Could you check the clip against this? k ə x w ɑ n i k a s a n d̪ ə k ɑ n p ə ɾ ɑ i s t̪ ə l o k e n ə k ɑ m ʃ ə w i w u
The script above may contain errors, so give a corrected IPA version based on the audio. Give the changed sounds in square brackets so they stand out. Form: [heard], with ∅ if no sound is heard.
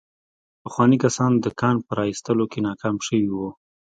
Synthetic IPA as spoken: [p] ə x w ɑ n i k a s [ɑ] n d̪ ə k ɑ n p ə ɾ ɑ i s t̪ ə l o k e n [ɑ] k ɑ m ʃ ə w i w u